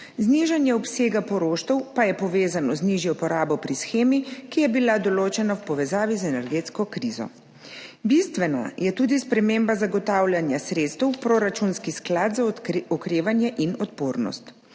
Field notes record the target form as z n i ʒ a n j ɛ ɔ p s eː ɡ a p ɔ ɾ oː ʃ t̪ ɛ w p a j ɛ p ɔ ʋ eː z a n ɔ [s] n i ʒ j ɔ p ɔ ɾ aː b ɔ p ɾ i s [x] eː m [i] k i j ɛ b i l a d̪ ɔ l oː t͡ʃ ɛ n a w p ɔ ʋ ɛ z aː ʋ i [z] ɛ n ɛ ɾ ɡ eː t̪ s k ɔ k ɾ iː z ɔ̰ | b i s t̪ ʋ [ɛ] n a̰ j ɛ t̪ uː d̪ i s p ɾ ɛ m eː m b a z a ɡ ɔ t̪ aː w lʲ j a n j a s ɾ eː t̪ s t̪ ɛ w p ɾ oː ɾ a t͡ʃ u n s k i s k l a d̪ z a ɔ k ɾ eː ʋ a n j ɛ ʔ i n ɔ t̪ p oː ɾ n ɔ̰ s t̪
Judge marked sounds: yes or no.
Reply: no, yes, yes, yes, yes

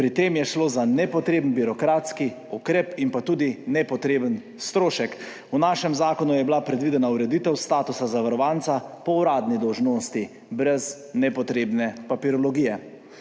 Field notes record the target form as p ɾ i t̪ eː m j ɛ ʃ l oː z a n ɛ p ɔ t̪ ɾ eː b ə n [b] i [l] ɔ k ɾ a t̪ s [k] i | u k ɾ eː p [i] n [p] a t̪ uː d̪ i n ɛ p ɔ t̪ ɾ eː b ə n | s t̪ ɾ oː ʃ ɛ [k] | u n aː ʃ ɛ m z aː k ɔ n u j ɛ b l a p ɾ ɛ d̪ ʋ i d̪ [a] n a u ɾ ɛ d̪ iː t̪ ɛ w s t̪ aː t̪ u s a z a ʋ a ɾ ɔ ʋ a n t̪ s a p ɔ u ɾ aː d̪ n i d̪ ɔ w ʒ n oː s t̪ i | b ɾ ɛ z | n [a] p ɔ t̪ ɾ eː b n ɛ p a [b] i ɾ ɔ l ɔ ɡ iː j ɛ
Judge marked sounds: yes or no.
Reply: yes, no, yes, yes, yes, yes, no, no, no

